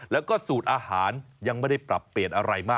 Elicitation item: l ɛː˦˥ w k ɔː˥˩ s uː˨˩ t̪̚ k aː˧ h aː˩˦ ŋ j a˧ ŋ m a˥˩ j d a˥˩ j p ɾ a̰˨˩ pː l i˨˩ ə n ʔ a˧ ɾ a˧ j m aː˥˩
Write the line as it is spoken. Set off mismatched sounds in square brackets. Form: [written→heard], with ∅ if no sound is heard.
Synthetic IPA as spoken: l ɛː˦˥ w k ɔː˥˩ s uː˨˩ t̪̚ [k→ʔ] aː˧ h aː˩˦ [ŋ→n] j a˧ ŋ m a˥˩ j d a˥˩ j p ɾ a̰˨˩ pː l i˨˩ ə n ʔ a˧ ɾ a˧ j m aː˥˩